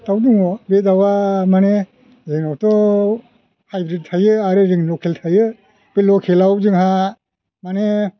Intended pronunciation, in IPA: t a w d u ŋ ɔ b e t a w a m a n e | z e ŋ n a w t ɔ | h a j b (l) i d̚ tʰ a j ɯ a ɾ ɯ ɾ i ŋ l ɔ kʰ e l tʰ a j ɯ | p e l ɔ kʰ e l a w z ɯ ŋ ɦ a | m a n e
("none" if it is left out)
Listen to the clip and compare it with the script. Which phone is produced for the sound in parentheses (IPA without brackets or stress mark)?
ɾ